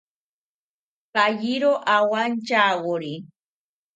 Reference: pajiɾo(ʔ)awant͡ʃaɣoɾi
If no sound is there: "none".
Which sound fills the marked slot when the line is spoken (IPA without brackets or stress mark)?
ʔ